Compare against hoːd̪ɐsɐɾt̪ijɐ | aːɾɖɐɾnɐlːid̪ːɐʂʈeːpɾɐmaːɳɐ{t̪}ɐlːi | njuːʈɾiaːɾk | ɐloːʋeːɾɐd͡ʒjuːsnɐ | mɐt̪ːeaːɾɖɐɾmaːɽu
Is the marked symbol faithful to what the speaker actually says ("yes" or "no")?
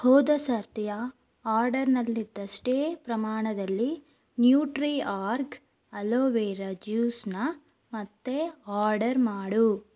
no